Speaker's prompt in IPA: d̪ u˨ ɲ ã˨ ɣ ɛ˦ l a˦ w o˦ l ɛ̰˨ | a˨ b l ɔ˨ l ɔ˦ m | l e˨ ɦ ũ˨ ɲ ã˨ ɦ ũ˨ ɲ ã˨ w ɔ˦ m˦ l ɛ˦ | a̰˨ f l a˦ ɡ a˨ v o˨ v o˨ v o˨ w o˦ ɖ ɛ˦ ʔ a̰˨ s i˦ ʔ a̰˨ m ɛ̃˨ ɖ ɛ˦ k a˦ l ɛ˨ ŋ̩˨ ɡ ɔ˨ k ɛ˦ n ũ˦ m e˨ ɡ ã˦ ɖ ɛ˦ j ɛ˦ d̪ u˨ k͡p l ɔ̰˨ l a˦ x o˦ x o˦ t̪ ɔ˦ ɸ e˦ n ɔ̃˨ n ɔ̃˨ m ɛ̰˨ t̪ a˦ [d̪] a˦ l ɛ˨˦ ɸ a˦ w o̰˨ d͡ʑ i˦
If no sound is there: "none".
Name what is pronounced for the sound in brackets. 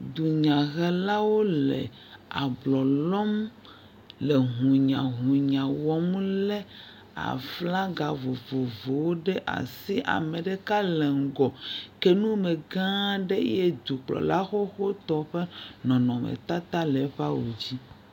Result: t̪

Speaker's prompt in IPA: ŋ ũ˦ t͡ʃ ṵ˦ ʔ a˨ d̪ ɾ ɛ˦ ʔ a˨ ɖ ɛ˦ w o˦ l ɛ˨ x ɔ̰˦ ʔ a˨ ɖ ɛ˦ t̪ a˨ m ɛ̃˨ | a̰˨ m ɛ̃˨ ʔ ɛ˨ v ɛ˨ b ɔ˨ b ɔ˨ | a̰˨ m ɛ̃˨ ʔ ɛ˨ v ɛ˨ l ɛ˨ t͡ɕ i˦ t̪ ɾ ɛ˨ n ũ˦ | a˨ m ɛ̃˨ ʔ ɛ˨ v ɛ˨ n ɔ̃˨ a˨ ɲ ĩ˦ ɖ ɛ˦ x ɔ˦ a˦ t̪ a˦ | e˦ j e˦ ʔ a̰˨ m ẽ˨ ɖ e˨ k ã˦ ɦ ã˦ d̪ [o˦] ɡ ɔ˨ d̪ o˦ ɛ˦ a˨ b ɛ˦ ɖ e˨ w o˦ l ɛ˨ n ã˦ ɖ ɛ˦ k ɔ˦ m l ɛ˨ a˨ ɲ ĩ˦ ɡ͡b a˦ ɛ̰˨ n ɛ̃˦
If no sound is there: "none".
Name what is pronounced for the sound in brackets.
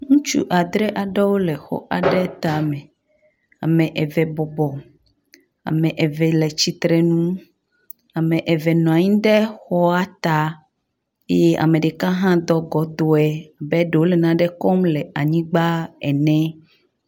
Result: ɔ˦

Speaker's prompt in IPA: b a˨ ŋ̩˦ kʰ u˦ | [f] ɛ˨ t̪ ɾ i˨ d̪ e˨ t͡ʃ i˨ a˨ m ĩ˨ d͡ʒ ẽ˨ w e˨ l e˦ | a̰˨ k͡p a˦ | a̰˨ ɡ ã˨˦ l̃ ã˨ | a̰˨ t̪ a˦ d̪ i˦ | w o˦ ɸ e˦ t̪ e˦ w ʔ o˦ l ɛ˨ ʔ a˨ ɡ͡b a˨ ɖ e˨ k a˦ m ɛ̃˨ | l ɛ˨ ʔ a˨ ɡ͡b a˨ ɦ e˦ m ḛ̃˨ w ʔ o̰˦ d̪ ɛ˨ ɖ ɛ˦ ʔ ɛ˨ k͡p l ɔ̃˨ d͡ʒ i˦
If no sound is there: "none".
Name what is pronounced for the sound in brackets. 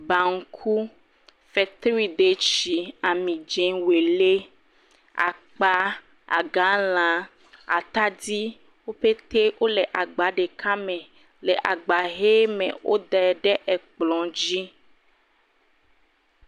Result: f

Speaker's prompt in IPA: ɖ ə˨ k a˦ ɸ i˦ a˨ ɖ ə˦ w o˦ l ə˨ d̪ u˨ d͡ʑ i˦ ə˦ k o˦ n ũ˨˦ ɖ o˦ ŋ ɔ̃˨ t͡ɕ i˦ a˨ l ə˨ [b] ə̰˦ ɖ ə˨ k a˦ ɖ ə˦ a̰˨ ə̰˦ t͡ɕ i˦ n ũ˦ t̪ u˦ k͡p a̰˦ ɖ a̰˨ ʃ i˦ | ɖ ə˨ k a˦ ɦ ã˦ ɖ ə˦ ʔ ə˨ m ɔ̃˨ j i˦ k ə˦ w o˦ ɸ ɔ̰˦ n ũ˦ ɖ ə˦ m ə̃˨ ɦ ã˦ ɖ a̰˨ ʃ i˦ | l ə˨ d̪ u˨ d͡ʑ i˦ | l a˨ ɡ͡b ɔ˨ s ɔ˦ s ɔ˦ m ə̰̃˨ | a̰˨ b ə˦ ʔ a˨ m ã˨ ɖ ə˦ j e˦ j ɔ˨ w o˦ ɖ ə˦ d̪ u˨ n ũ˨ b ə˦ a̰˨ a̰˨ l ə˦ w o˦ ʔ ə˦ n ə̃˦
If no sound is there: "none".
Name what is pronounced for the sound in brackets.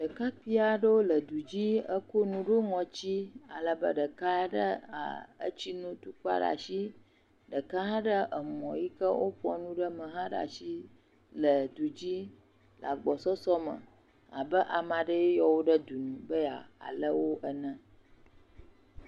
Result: b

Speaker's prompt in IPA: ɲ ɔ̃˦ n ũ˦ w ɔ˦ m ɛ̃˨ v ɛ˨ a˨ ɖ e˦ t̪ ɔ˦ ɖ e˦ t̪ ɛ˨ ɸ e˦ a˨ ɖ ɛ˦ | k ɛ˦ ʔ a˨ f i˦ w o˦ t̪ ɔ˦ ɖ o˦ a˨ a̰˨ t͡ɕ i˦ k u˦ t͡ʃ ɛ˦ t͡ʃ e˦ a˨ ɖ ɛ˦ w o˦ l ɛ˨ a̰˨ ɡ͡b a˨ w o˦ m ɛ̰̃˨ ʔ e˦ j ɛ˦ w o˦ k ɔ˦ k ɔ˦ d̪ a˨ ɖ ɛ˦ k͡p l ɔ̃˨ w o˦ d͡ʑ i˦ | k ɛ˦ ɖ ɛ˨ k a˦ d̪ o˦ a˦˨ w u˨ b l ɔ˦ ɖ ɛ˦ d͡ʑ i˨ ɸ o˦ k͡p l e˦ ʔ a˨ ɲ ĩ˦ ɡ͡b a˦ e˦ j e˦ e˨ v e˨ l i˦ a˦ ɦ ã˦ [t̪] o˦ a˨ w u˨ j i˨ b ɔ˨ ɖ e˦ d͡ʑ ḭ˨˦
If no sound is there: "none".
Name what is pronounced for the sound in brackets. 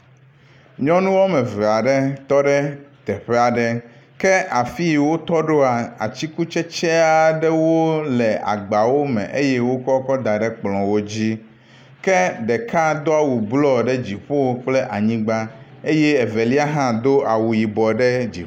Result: d̪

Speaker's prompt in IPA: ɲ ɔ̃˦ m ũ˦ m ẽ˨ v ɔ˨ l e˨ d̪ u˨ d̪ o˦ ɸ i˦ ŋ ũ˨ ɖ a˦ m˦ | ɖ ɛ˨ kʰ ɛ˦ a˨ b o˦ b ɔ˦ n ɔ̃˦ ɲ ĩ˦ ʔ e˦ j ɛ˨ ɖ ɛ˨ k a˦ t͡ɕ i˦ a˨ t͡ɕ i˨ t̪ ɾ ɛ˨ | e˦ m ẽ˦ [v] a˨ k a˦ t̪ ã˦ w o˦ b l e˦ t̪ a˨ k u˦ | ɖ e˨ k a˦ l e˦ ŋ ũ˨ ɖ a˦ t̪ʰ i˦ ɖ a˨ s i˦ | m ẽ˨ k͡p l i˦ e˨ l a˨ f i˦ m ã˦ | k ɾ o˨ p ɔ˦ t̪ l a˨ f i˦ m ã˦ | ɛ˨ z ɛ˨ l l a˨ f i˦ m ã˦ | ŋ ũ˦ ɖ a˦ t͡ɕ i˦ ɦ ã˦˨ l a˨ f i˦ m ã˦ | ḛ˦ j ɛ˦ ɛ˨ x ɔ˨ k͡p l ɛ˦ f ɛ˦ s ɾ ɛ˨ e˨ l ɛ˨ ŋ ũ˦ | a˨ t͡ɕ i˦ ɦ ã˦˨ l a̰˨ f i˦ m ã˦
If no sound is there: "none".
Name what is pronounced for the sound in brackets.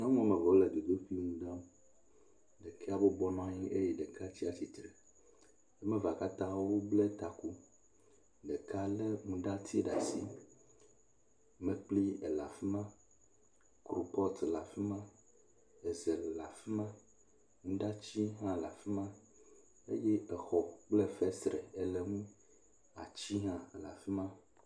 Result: v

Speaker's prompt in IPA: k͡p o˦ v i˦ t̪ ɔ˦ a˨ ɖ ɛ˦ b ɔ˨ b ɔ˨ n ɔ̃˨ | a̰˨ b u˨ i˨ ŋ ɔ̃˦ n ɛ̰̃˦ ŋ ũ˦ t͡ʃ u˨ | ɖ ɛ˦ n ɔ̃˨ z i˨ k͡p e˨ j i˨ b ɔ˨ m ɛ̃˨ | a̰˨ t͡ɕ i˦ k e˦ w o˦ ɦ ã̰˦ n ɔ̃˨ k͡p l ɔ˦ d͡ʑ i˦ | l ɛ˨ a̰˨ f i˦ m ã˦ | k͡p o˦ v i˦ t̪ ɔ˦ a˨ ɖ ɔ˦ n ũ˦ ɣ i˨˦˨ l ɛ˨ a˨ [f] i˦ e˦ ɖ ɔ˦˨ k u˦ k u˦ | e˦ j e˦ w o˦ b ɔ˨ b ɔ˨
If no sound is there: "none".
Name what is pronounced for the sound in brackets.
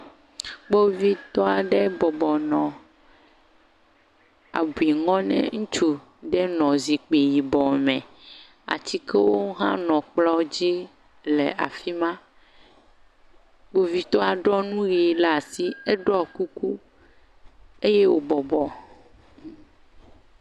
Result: s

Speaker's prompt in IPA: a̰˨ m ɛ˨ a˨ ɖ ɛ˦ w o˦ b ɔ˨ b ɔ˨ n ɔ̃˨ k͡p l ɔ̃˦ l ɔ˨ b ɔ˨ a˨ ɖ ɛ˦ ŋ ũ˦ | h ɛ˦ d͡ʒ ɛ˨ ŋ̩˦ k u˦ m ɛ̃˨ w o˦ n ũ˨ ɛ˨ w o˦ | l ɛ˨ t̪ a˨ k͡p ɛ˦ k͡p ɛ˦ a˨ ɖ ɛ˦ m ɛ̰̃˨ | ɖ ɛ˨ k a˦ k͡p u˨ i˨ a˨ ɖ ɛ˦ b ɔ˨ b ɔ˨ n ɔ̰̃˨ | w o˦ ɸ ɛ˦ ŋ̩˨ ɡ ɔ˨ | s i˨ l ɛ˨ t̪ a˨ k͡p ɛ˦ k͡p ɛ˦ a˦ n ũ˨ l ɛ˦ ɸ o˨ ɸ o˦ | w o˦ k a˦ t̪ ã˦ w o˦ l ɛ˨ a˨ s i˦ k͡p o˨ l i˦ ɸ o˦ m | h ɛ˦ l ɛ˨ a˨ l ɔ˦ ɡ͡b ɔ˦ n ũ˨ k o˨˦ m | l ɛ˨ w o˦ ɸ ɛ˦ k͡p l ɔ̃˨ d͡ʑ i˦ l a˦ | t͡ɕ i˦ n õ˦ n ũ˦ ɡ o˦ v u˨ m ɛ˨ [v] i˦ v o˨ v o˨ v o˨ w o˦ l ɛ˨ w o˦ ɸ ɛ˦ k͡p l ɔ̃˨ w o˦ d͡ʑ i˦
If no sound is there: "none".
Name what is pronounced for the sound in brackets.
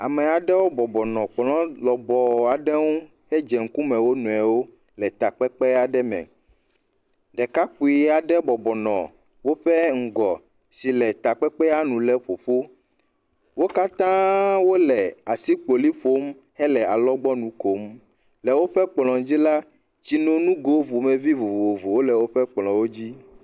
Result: v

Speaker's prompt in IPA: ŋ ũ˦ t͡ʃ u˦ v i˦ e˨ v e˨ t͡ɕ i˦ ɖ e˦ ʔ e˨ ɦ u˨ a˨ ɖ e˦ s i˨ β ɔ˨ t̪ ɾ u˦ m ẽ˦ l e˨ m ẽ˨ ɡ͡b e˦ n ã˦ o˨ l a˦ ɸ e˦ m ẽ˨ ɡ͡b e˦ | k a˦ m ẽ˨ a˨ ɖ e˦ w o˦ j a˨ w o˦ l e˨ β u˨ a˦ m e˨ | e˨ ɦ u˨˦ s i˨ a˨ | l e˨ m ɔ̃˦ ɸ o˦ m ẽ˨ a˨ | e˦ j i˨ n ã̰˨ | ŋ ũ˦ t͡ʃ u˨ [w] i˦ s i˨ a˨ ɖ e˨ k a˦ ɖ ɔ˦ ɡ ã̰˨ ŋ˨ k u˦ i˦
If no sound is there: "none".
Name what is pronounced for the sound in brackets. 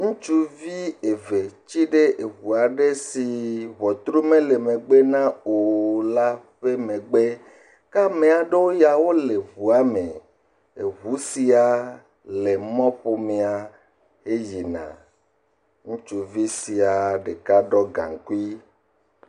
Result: v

